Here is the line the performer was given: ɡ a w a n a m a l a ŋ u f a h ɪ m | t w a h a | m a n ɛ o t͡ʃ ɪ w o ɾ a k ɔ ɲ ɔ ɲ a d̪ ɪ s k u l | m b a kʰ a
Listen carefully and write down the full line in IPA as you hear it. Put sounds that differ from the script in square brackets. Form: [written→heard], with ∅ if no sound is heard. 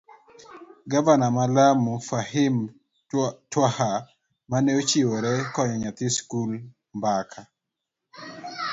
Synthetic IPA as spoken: ɡ a [w→v] a n a m a l a [ŋ→m] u f a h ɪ m | t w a h a | m a n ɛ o t͡ʃ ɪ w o ɾ [a→ɛ] k ɔ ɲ ɔ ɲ a [d̪→t̪] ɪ s k u l | m b a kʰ a